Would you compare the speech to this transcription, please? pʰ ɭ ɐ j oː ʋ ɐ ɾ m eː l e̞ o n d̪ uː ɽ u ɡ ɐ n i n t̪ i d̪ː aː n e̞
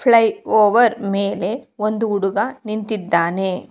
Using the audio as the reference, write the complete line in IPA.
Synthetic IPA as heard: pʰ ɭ ɐ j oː ʋ ɐ ɾ m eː l e̞ o n d̪ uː ɽ u ɡ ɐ n i n t̪ i d̪ː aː n e̞